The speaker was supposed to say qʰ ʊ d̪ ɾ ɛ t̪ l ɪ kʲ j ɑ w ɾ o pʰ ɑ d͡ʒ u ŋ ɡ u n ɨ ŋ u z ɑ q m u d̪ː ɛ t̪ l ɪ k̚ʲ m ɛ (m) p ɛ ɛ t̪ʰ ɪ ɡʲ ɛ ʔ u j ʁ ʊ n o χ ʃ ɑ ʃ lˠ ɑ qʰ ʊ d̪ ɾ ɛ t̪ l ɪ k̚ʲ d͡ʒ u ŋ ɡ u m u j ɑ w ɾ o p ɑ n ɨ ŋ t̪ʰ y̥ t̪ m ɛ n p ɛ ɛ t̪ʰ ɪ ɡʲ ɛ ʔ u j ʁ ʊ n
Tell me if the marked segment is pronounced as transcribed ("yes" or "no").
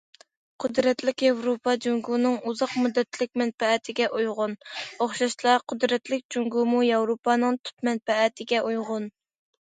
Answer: no